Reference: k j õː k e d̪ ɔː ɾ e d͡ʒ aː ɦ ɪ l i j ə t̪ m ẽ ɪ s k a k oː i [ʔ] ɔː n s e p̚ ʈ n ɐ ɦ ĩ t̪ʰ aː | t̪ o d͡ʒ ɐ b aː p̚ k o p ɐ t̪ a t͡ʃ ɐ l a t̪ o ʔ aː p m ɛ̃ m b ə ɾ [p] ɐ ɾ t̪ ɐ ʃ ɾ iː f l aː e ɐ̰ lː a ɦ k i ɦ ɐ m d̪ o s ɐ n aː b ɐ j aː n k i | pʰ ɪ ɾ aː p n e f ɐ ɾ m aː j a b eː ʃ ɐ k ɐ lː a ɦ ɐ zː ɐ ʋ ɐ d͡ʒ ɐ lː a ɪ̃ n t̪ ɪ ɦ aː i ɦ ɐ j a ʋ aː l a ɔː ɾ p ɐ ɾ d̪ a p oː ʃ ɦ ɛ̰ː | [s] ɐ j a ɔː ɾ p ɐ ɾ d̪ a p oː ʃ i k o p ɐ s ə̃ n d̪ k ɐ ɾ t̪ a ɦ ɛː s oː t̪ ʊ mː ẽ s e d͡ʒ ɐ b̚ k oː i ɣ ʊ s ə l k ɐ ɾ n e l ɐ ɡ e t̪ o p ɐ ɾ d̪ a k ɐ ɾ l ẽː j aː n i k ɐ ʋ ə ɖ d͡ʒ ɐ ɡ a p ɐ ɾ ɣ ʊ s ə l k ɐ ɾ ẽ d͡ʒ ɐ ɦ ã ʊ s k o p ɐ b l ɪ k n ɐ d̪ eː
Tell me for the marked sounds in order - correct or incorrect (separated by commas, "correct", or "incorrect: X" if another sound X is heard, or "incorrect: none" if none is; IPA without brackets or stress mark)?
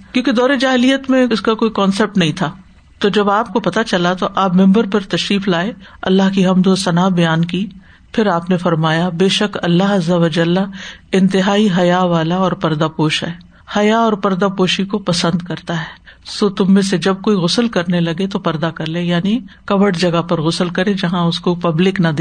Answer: incorrect: k, correct, incorrect: h